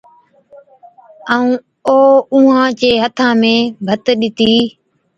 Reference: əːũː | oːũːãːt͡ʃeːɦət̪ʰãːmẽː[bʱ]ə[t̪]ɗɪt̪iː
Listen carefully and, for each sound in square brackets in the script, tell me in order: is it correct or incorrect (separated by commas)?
correct, correct